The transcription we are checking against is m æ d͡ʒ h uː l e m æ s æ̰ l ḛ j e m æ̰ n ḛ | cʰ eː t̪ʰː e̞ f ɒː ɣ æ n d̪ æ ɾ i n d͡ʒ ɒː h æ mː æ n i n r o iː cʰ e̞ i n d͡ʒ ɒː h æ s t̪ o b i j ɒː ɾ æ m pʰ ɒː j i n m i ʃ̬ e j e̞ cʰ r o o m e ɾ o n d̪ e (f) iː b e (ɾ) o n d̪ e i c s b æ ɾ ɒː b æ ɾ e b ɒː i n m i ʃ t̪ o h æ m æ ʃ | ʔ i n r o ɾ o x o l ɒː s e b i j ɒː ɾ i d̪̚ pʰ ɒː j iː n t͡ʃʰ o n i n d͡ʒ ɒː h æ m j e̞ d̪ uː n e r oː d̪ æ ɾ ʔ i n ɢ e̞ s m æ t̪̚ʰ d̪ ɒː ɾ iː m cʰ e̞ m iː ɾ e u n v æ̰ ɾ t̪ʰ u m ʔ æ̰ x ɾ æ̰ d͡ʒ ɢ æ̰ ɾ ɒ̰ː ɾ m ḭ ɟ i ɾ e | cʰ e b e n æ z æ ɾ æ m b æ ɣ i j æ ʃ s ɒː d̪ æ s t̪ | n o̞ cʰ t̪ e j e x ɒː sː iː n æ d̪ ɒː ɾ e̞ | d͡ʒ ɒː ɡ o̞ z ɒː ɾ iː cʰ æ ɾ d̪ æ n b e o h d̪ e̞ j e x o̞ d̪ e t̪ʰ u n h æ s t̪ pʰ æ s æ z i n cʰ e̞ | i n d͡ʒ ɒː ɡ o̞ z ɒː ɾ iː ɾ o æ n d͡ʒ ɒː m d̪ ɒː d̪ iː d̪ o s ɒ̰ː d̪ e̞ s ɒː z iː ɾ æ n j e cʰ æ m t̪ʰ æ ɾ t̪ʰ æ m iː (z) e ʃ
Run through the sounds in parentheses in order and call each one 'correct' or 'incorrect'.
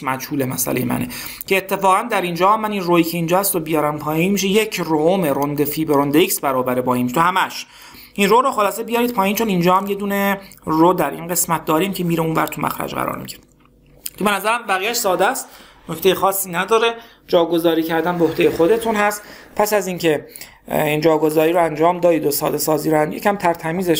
correct, correct, correct

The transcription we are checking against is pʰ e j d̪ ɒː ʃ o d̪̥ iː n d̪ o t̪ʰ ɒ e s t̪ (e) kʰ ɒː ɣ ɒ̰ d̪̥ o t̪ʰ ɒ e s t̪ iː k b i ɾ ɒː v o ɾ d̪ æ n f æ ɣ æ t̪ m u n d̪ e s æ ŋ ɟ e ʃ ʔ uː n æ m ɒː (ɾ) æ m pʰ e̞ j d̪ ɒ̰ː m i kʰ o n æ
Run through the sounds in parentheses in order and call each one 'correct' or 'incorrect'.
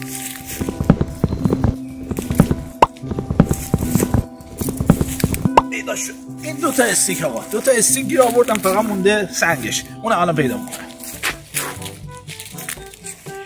incorrect: i, incorrect: l

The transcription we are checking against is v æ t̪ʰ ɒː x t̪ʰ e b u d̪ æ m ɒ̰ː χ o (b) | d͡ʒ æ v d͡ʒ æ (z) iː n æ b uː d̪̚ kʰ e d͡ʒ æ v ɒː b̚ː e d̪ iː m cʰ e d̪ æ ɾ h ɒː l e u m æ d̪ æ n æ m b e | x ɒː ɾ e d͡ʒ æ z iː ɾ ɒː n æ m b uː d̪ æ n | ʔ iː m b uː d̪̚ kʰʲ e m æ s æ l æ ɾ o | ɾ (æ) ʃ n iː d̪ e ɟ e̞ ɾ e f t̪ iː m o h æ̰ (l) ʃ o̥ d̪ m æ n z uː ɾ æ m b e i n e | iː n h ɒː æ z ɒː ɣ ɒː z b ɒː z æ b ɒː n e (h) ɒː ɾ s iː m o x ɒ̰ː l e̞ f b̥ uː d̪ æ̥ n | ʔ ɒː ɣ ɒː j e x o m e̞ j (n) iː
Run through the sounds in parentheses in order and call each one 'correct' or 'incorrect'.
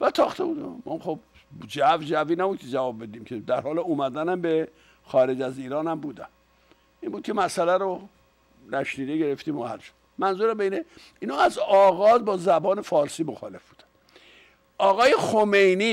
correct, incorrect: v, correct, correct, incorrect: f, correct

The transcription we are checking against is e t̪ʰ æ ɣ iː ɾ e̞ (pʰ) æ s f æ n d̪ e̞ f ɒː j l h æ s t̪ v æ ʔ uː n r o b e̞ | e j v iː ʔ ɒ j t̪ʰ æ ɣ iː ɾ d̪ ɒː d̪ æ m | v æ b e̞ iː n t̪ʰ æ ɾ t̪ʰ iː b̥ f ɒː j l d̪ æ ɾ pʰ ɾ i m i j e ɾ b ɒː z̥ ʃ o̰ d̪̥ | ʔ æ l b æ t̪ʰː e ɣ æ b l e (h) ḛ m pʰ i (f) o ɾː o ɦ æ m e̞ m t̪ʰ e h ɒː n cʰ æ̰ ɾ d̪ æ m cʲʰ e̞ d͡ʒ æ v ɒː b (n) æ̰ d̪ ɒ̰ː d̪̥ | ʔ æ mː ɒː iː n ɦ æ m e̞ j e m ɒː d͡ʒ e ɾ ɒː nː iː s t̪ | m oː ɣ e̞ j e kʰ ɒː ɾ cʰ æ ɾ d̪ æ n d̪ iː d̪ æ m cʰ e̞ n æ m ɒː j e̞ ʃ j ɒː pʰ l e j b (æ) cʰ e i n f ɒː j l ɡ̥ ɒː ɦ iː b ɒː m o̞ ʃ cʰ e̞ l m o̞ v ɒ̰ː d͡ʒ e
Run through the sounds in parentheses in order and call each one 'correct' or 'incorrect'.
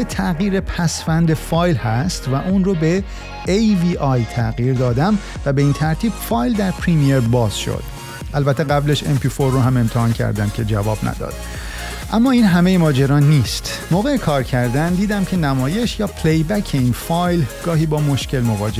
correct, incorrect: ʃ, correct, correct, correct

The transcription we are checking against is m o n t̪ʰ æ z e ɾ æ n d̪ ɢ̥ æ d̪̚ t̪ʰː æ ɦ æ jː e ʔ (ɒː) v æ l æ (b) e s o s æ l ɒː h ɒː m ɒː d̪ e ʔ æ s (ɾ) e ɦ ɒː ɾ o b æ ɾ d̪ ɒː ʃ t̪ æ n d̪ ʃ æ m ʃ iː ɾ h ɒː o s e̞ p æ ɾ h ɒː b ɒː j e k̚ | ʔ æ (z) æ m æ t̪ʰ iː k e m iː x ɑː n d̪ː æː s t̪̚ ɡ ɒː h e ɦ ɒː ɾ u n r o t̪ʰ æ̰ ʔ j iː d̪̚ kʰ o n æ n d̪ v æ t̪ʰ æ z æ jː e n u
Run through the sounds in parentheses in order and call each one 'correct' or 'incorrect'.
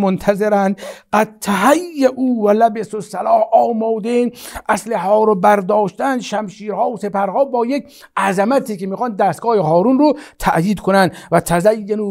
incorrect: uː, correct, incorrect: l, correct

